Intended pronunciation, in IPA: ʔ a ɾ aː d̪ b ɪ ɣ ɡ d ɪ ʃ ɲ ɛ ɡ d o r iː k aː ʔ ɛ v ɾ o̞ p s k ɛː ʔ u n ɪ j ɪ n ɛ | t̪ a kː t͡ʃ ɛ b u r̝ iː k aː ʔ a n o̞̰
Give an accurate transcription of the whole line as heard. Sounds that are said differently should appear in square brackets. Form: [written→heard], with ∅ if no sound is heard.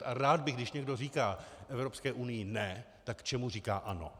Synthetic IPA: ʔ a ɾ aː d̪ b ɪ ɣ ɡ d ɪ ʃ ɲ ɛ ɡ d o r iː k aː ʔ ɛ v ɾ o̞ p s k ɛː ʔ u n ɪ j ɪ n ɛ | t̪ a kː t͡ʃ ɛ [b→m] u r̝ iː k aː ʔ a n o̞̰